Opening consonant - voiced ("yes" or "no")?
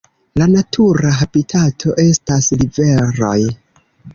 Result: yes